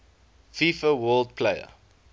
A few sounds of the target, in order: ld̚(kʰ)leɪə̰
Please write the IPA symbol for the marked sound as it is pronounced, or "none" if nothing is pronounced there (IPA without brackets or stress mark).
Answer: pʰ